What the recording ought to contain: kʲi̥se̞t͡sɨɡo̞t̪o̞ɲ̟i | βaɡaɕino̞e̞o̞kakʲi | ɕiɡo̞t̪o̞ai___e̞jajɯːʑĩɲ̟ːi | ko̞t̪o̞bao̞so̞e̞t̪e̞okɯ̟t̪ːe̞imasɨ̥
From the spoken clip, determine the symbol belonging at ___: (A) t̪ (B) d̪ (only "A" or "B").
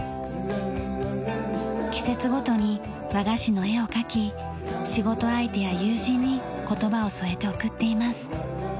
A